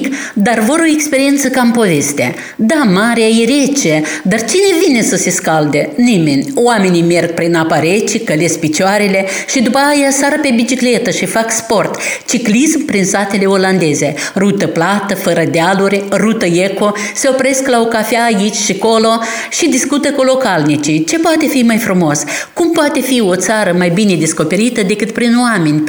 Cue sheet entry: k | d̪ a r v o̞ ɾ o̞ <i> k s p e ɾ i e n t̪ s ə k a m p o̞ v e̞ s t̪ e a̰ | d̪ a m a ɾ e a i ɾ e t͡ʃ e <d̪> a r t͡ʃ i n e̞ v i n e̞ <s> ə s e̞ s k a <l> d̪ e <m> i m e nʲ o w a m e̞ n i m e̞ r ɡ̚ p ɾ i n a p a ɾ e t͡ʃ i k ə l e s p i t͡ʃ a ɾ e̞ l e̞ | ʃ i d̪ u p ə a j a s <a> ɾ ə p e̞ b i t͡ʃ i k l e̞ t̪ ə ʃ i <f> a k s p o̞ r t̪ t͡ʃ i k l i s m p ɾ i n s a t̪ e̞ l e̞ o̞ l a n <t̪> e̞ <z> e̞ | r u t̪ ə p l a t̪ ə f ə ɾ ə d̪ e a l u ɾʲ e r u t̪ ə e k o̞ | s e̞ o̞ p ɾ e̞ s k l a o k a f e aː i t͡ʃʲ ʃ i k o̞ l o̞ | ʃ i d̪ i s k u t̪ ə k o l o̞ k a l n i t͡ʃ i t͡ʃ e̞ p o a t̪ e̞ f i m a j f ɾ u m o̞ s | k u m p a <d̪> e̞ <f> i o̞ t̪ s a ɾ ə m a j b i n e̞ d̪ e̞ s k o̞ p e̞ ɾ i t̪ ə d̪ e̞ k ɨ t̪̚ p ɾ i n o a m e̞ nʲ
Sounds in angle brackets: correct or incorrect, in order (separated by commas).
incorrect, correct, correct, correct, incorrect, correct, correct, incorrect, correct, incorrect, correct